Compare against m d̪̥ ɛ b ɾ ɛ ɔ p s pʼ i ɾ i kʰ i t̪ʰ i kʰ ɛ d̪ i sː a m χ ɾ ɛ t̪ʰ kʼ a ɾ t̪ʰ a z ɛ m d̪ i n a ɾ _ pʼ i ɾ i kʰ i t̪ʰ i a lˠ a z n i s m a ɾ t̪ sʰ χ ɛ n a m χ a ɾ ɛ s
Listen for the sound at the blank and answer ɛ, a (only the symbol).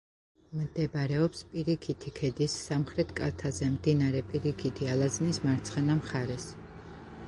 ɛ